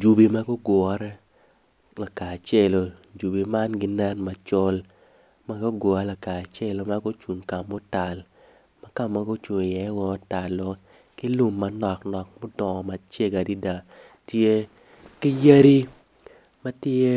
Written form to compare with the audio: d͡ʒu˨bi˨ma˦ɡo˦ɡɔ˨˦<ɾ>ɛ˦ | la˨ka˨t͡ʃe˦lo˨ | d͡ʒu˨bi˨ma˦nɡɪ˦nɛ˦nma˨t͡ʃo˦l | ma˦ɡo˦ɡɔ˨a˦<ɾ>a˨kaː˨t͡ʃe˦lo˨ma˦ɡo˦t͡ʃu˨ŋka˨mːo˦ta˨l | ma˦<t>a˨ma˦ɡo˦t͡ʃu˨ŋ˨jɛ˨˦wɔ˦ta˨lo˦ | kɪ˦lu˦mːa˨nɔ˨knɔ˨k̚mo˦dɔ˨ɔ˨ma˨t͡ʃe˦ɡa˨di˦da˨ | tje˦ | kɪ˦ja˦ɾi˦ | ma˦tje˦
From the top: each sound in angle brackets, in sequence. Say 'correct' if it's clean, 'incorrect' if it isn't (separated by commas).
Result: correct, incorrect, incorrect